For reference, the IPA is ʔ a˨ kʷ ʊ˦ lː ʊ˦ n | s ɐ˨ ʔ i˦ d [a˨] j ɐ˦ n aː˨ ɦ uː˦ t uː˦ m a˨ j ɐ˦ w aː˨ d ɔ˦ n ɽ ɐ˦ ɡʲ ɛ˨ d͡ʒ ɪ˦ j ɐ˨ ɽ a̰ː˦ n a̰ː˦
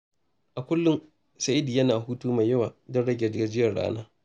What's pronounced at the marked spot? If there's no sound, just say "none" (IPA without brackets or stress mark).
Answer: i˨